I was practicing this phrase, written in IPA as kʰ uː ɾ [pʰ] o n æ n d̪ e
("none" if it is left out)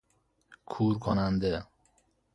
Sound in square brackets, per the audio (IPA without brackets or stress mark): kʰ